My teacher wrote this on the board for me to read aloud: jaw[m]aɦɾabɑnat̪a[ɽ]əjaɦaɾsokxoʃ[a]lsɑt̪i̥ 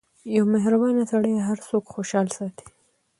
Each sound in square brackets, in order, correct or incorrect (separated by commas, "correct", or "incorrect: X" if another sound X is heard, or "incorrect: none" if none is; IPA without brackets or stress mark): correct, correct, incorrect: ɑ